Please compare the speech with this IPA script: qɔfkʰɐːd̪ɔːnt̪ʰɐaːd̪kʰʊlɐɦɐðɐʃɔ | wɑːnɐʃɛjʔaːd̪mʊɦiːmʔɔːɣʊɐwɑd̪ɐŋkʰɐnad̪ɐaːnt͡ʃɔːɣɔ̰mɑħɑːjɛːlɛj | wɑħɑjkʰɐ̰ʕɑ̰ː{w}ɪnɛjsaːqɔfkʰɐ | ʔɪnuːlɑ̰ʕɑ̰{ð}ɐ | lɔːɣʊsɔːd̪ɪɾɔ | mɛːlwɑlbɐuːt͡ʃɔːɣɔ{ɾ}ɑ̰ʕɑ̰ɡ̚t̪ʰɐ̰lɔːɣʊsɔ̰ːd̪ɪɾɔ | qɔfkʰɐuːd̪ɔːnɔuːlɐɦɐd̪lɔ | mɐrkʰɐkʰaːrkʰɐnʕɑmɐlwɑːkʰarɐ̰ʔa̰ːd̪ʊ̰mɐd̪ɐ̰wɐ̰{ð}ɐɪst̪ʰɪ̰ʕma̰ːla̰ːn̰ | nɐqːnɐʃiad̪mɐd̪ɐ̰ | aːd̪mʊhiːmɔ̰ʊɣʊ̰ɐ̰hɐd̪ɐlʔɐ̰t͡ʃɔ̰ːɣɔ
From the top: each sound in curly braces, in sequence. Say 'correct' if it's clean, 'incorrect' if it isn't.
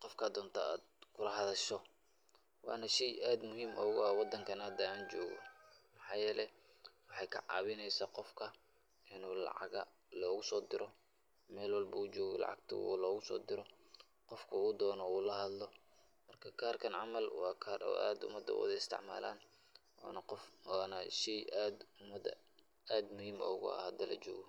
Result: incorrect: β, incorrect: ɣ, incorrect: l, correct

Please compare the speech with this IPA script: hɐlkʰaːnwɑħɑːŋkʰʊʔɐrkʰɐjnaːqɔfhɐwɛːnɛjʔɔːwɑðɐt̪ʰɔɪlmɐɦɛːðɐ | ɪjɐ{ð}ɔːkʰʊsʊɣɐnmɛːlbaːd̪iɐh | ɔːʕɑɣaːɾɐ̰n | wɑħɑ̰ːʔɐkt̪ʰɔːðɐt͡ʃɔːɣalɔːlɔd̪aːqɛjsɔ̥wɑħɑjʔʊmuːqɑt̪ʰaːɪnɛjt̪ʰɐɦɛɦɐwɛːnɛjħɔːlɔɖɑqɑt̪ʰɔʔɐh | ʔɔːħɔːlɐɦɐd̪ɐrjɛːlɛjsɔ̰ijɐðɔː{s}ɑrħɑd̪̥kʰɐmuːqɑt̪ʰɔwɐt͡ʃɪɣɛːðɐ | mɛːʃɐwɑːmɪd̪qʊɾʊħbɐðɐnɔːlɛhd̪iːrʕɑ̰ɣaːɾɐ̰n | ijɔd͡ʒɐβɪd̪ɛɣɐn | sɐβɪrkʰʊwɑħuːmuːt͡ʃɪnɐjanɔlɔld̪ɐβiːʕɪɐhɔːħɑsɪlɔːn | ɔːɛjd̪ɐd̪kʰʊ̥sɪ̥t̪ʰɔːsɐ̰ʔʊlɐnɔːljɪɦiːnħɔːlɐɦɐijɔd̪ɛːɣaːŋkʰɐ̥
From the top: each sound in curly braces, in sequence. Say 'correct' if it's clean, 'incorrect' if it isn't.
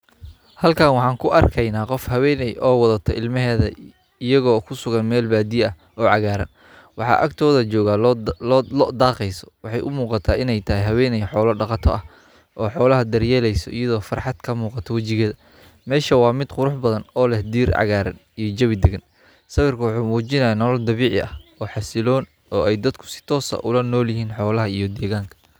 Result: incorrect: ɣ, incorrect: f

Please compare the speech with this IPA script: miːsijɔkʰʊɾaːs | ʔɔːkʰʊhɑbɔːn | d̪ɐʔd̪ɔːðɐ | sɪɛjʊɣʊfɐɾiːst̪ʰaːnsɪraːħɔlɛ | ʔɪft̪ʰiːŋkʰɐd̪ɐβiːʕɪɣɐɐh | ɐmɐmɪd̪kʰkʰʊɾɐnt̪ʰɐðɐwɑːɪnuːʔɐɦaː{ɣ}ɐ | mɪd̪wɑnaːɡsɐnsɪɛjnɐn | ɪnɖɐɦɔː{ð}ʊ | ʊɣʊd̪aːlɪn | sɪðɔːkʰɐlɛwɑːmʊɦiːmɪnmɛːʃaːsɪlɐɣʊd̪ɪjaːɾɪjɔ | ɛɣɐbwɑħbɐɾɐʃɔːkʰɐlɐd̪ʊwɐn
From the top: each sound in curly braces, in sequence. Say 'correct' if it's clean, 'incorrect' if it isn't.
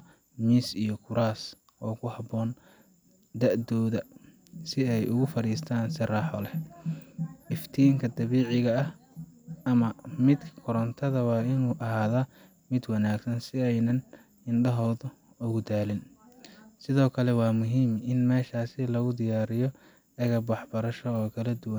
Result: incorrect: ð, correct

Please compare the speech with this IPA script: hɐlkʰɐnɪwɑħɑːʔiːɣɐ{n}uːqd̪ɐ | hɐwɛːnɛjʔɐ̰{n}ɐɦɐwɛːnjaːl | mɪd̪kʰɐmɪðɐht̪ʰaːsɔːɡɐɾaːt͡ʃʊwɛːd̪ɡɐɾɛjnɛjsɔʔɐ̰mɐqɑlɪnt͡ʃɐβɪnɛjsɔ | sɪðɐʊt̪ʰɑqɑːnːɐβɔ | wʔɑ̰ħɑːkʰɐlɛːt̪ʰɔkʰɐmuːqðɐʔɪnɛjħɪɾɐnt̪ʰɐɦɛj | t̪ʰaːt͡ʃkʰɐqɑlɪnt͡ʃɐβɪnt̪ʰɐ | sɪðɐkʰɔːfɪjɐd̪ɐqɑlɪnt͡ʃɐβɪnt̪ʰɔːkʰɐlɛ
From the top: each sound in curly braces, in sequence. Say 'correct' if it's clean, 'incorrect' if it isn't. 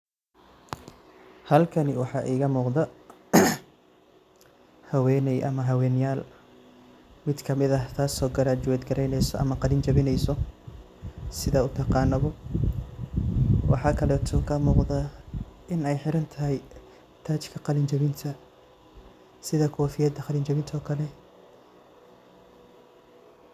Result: incorrect: m, incorrect: m

